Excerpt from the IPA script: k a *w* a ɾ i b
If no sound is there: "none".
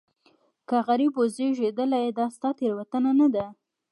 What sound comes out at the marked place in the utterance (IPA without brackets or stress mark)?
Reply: ɣ